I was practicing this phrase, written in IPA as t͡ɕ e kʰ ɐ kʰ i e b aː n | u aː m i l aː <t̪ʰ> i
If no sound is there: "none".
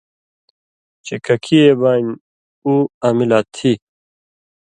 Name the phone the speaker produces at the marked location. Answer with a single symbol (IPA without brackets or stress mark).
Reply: t̪ʰ